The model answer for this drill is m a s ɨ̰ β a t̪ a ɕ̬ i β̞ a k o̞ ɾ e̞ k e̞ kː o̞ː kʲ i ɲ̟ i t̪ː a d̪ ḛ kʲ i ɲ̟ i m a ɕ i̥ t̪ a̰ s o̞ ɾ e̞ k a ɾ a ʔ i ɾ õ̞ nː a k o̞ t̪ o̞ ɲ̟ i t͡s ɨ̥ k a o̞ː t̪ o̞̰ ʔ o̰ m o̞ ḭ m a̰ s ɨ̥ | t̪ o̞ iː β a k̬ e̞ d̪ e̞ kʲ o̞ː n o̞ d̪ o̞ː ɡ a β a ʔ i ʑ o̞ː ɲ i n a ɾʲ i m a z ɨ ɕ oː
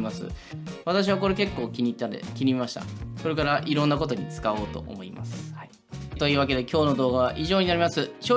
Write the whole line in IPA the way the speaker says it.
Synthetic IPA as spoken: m a s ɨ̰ β a t̪ a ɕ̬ i β̞ a k o̞ ɾ e̞ k e̞ kː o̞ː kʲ i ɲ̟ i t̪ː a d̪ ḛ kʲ i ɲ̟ i m a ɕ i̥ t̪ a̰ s o̞ ɾ e̞ k a ɾ a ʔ i ɾ õ̞ nː a k o̞ t̪ o̞ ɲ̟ i t͡s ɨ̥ k a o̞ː t̪ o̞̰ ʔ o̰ m o̞ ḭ m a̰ s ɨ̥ | t̪ o̞ iː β a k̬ e̞ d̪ e̞ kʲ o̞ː n o̞ d̪ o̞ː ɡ a β a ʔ i ʑ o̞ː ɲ i n a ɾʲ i m a s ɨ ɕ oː